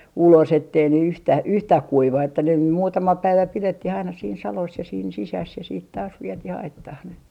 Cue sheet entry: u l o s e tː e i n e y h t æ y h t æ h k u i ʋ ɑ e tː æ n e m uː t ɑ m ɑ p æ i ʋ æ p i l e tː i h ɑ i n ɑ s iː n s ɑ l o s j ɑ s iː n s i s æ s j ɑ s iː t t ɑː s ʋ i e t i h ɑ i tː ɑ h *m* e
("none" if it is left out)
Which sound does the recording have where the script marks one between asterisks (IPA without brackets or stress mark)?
n